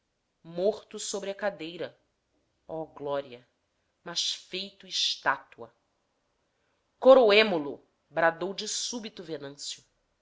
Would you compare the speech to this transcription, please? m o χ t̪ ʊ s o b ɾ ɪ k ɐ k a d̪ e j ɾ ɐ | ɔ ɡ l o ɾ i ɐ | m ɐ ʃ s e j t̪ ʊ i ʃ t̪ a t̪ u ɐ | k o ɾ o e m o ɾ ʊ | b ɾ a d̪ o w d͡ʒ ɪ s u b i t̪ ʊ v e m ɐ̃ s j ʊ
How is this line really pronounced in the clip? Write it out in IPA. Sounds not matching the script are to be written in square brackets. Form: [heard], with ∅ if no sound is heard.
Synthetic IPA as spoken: m o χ t̪ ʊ s o b ɾ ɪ [∅] ɐ k a d̪ e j ɾ ɐ | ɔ ɡ l [ɔ] ɾ i ɐ | m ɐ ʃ [f] e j t̪ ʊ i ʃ t̪ a t̪ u ɐ | k o ɾ o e m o [l] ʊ | b ɾ a d̪ o w d͡ʒ ɪ s u b i t̪ ʊ v e [n] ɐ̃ s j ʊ

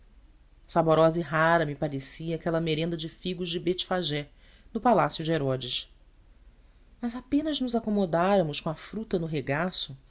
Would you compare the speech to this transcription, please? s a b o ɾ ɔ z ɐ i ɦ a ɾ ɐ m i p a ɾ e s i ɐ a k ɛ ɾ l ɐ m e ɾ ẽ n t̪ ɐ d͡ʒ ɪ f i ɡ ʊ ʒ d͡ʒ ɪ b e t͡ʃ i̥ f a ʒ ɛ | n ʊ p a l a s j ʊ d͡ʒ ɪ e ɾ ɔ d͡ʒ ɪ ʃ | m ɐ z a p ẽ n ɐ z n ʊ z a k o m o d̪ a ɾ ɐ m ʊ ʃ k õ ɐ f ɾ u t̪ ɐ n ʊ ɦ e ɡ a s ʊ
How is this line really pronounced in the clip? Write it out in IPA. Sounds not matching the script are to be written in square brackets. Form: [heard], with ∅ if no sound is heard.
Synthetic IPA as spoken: s a b o ɾ ɔ z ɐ i ɦ a ɾ ɐ m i p a ɾ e s i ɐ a k ɛ [∅] l ɐ m e ɾ ẽ n [d̪] ɐ d͡ʒ ɪ f i ɡ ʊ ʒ d͡ʒ ɪ b e t͡ʃ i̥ f a ʒ ɛ | n ʊ p a l a s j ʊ d͡ʒ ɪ e ɾ ɔ d͡ʒ ɪ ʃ | m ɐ z a p ẽ n ɐ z n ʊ z a k o m o d̪ a ɾ ɐ m ʊ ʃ k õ ɐ f ɾ u t̪ ɐ n ʊ ɦ e ɡ a s ʊ

